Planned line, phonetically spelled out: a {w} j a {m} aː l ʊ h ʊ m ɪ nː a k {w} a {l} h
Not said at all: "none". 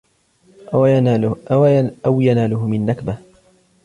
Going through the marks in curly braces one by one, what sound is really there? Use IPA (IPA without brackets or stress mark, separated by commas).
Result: w, n, b, none